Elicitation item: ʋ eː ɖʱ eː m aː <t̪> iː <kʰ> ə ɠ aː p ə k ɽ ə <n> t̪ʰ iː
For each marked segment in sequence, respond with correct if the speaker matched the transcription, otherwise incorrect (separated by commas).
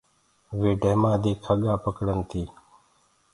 incorrect, correct, correct